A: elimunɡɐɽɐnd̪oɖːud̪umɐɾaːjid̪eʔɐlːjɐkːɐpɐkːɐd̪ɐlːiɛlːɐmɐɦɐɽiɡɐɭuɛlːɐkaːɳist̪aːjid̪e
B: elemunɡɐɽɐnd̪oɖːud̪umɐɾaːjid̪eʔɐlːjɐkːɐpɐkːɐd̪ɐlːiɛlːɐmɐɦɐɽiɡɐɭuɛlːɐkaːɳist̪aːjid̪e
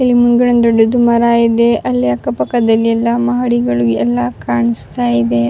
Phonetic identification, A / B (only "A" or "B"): A